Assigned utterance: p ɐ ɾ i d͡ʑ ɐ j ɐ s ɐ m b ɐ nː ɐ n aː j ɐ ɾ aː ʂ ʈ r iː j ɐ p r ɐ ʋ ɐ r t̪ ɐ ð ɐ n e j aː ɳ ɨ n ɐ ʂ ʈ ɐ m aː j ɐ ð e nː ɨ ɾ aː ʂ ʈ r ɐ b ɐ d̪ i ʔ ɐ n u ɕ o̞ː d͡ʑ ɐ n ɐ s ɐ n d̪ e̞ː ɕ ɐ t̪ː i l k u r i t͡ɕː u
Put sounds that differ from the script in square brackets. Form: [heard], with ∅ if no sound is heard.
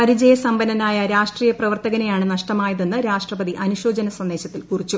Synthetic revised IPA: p ɐ ɾ i d͡ʑ ɐ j ɐ s ɐ m b ɐ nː ɐ n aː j ɐ ɾ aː ʂ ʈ r iː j ɐ p r ɐ ʋ ɐ r t̪ ɐ [ɣ] ɐ n e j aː ɳ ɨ n ɐ ʂ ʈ ɐ m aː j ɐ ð e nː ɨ ɾ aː ʂ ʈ r ɐ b ɐ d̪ i ʔ ɐ n u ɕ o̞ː d͡ʑ ɐ n ɐ s ɐ n d̪ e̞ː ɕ ɐ t̪ː i l k u r i t͡ɕː u